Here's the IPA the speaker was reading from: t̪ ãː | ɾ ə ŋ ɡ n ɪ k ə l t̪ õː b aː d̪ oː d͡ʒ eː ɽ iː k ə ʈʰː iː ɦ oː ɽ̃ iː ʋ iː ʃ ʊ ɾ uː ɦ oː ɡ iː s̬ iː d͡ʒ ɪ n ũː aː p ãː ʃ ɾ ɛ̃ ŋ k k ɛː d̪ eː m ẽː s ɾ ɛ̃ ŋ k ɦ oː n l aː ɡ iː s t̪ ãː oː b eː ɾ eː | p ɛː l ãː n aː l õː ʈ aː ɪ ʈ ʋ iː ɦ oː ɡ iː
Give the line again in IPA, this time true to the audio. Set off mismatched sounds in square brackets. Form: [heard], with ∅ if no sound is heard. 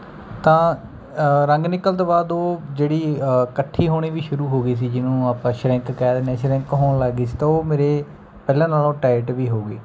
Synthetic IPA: t̪ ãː | ɾ ə ŋ ɡ n ɪ k ə l t̪ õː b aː d̪ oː d͡ʒ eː ɽ iː k ə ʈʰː iː ɦ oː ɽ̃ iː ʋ iː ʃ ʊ ɾ uː ɦ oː ɡ iː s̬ iː d͡ʒ ɪ n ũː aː p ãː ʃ ɾ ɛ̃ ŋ k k ɛː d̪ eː [n] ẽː [ʃ] ɾ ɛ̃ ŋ k ɦ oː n l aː ɡ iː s t̪ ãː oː [m] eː ɾ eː | p ɛː l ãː n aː l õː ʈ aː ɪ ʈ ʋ iː ɦ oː ɡ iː